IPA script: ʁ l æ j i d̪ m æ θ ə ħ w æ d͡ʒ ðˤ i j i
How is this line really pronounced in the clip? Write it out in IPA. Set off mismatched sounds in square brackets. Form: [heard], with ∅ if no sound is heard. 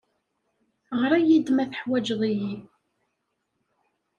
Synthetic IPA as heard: ʁ [ɾ] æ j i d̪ m æ θ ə ħ w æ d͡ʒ ðˤ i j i